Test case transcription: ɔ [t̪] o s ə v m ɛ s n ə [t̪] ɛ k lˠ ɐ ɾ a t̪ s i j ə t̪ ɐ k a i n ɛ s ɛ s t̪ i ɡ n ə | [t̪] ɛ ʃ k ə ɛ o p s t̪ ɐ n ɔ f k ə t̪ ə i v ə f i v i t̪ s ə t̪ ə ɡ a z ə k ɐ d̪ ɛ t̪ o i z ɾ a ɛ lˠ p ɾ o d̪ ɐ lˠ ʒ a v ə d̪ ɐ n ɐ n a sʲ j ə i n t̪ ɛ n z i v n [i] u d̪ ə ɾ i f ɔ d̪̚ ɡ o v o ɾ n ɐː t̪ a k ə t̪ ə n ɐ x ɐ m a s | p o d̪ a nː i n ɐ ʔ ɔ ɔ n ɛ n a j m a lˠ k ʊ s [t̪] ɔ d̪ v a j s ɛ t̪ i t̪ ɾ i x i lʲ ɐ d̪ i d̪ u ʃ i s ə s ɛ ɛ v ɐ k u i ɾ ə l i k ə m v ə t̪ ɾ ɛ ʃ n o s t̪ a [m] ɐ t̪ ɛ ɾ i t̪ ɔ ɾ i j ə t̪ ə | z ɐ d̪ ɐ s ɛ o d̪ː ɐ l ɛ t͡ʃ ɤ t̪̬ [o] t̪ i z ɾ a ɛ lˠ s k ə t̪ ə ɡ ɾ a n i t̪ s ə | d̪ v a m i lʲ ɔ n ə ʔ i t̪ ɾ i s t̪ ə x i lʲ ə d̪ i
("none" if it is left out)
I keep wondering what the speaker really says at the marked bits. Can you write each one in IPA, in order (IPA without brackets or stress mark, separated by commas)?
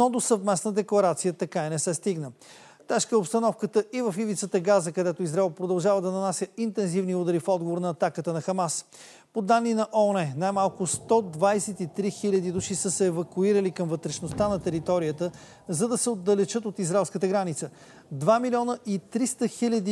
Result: d̪, d̪, t̪, i, t̪, n, o